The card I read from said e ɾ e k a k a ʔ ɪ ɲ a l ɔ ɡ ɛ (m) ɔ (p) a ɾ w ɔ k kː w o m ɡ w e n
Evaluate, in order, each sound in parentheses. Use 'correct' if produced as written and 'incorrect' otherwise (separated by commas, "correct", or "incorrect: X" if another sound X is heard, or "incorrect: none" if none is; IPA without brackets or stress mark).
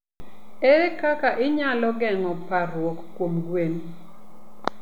incorrect: ŋ, correct